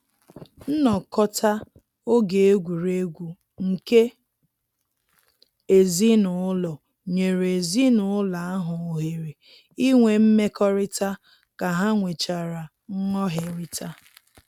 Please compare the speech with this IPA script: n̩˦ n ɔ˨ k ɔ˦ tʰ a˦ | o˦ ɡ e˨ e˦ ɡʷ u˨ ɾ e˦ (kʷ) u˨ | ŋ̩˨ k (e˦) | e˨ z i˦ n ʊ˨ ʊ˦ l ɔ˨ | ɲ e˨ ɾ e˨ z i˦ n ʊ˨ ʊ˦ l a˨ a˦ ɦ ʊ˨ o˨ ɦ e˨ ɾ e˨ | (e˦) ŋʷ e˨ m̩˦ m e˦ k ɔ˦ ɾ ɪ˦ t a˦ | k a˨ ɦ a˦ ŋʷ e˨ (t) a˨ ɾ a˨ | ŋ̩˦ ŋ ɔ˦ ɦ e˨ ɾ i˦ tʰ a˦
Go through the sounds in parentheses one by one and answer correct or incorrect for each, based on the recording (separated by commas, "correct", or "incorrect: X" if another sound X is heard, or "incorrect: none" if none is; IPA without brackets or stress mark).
incorrect: ɡʷ, correct, incorrect: i˦, incorrect: t͡ʃ